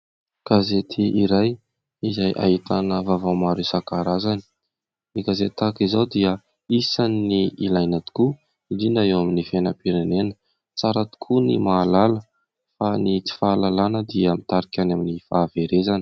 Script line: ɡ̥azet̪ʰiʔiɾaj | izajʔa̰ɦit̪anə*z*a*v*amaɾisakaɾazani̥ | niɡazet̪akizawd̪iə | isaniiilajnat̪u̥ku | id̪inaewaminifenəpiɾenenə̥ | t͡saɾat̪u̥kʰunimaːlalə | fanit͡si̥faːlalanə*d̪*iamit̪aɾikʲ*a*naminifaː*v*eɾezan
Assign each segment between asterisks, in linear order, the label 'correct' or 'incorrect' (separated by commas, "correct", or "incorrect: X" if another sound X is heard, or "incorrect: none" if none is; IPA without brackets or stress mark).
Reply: incorrect: v, correct, correct, correct, correct